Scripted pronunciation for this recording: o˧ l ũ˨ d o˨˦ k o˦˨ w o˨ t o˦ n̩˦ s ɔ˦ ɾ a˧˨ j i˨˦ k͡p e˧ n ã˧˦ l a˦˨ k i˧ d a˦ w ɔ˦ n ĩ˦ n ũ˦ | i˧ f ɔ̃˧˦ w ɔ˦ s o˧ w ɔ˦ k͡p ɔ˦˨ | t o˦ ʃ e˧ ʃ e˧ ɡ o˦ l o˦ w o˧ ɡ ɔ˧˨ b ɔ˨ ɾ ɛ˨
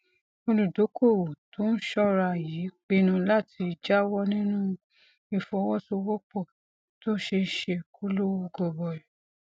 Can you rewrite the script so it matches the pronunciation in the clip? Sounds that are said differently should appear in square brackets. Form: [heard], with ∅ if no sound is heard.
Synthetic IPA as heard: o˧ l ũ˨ d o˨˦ k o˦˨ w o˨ t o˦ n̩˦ [ʃ] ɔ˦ ɾ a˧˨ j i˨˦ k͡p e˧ n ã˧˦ l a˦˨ [t] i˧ [d͡ʒ] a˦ w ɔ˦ n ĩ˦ n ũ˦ | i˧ f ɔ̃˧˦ w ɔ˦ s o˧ w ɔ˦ k͡p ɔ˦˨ | t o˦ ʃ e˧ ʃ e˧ [k] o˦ l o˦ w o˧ ɡ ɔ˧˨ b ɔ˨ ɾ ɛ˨